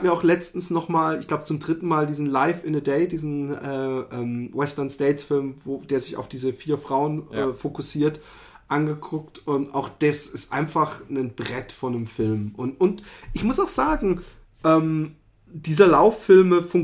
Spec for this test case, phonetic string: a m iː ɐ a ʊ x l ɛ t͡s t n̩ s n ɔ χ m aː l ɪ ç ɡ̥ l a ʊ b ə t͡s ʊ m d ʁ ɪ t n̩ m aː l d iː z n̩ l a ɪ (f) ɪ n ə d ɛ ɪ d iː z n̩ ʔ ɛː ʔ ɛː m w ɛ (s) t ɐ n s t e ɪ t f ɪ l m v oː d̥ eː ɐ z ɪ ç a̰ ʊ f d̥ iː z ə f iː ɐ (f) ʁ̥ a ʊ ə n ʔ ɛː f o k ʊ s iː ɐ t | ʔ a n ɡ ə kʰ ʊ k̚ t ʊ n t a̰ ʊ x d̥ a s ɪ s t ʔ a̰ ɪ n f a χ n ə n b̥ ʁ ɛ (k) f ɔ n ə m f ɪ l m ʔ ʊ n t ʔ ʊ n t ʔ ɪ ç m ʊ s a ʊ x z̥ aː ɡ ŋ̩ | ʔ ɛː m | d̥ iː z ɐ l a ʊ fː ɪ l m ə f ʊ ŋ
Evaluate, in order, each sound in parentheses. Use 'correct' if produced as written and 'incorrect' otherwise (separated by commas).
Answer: correct, correct, correct, incorrect